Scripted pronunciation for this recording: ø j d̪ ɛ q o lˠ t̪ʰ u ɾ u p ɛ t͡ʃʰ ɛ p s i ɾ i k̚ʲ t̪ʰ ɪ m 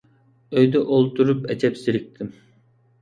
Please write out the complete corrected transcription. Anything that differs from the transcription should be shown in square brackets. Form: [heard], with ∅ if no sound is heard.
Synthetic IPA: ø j d̪ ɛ [ʔ] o lˠ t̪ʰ u ɾ u p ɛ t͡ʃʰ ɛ p s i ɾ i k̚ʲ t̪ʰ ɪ m